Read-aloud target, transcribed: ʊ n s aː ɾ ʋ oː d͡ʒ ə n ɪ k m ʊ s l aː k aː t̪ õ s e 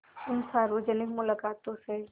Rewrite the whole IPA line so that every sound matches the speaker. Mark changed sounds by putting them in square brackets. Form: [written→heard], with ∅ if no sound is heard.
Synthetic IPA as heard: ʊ n s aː ɾ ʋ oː d͡ʒ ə n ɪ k m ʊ [s→∅] l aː k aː t̪ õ s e